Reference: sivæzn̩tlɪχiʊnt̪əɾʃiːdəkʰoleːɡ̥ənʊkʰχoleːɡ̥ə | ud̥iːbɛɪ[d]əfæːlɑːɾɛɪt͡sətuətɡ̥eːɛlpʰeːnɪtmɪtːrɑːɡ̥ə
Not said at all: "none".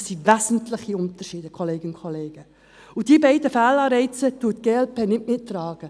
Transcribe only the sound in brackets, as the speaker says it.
d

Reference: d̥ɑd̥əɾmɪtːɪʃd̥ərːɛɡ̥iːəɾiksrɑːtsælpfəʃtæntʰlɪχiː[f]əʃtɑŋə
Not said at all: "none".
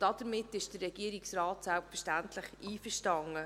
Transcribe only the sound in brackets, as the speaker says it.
f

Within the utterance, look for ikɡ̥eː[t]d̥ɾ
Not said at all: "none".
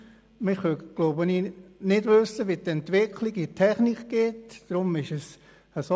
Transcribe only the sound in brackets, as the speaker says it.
t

